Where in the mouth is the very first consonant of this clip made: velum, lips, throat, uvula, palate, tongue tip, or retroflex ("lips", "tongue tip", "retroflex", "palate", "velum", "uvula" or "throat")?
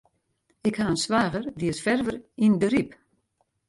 velum